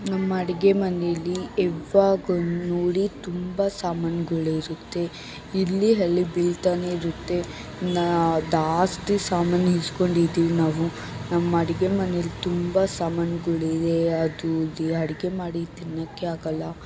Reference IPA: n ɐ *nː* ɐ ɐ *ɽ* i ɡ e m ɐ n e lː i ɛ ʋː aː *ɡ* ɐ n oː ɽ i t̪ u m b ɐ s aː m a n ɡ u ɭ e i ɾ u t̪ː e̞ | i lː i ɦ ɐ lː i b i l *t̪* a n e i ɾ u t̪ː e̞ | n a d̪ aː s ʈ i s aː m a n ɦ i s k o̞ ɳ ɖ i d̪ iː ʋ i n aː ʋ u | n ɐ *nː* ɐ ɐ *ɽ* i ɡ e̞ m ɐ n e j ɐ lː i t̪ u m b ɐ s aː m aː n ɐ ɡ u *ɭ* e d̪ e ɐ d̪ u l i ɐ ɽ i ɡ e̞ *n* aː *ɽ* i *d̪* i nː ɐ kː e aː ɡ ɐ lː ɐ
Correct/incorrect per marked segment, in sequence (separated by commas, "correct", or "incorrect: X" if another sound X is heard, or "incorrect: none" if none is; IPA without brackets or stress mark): incorrect: mː, correct, correct, correct, incorrect: mː, correct, correct, incorrect: m, correct, incorrect: t̪